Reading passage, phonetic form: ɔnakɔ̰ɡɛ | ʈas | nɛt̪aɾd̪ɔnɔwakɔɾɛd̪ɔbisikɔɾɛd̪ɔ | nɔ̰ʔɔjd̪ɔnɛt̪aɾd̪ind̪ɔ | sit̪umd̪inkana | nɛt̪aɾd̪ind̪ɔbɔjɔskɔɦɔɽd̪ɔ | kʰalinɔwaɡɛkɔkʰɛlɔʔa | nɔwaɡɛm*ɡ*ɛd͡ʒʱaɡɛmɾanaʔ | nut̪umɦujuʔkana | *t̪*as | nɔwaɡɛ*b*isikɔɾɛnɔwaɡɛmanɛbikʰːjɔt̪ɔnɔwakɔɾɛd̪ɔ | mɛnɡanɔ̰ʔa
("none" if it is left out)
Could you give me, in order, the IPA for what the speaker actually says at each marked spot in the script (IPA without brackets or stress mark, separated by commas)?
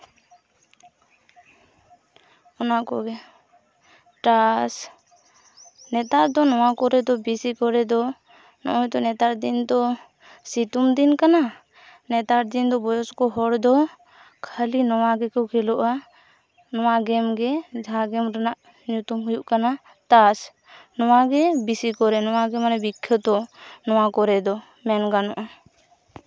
ɡ, t̪, b